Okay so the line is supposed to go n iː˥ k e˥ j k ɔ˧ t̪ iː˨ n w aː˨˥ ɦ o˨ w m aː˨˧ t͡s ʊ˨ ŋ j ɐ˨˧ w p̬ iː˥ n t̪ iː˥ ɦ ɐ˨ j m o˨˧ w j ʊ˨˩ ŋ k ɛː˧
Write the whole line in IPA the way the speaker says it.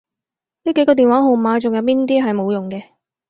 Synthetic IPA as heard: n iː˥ k e˨˥ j k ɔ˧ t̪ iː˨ n w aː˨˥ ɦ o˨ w m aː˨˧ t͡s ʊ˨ ŋ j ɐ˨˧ w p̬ iː˥ n t̪ iː˥ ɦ ɐ˨ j m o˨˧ w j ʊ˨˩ ŋ k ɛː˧